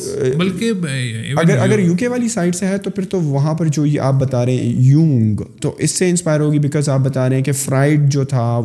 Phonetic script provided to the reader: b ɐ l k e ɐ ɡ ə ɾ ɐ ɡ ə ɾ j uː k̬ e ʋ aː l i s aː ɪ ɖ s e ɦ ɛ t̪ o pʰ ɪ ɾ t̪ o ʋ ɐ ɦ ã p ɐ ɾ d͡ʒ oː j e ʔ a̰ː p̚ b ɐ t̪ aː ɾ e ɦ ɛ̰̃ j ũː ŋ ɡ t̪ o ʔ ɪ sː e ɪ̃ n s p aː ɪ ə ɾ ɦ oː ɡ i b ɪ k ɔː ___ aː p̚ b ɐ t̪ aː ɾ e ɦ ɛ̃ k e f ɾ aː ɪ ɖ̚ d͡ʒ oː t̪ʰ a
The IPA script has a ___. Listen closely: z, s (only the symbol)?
z